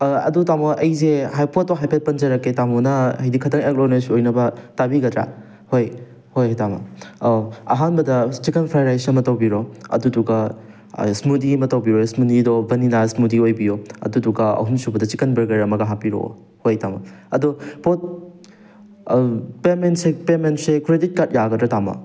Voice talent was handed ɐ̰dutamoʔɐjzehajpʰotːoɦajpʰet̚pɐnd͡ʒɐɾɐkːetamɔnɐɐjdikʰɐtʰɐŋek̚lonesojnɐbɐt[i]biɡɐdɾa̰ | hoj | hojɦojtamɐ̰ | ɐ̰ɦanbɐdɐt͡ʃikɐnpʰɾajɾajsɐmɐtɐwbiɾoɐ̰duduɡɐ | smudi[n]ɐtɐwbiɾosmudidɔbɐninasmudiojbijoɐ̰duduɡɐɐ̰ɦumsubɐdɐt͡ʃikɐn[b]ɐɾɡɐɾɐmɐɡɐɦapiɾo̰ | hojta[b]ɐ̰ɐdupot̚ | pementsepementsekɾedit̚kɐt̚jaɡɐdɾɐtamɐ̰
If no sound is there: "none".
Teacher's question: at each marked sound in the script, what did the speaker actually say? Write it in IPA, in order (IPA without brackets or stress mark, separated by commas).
a, m, b, m